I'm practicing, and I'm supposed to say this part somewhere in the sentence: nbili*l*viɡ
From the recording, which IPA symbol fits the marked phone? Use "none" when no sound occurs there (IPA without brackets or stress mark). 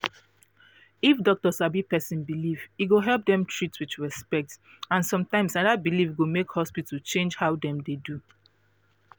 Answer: none